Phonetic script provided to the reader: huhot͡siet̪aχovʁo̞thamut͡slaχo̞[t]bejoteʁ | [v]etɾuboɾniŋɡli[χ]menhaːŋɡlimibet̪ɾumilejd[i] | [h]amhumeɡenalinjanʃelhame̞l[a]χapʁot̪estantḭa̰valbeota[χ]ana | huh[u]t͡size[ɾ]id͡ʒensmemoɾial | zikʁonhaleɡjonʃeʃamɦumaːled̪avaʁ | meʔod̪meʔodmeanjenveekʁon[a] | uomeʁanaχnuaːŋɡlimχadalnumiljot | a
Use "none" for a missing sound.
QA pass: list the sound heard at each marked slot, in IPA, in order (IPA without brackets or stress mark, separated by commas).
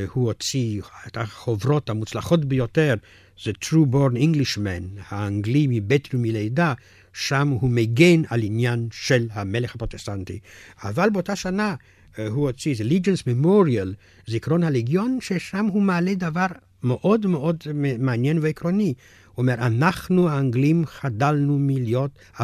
t, z, ʃ, a, ʃ, e, ʃ, o, l, i